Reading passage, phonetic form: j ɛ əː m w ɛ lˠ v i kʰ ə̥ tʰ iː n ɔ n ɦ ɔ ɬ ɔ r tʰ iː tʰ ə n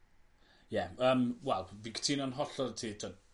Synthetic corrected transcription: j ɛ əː m w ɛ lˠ v i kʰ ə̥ tʰ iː n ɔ n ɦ ɔ ɬ ɔ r tʰ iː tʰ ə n